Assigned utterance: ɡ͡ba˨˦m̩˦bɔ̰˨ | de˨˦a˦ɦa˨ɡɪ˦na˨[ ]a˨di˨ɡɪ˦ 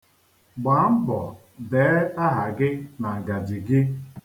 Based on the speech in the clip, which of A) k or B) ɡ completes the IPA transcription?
B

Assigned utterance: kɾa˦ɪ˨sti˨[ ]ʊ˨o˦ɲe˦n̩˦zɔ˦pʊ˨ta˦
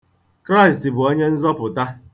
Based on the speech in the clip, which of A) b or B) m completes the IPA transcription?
A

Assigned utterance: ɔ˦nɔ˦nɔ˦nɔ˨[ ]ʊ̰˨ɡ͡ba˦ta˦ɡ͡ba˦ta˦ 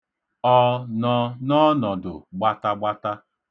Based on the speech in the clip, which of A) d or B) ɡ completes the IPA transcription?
A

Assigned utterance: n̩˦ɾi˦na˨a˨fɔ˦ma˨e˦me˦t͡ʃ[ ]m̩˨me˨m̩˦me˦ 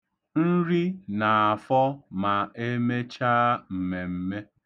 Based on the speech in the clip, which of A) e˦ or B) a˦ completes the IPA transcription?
B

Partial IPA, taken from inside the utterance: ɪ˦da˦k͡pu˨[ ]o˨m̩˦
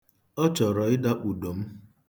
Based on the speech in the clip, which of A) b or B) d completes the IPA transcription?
B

